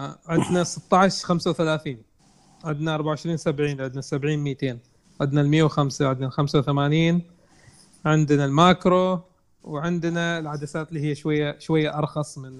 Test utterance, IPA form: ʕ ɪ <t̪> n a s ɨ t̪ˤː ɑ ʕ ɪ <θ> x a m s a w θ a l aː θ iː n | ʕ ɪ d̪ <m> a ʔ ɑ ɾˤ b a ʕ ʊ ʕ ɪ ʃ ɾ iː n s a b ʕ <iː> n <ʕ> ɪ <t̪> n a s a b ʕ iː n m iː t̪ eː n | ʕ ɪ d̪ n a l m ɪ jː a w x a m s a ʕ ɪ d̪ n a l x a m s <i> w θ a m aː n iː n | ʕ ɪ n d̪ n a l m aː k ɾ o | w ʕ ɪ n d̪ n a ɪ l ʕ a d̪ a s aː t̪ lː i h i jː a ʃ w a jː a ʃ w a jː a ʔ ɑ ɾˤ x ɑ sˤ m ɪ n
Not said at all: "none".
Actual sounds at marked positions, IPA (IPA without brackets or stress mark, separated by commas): d̪, ʃ, n, iː, ʕ, d̪, a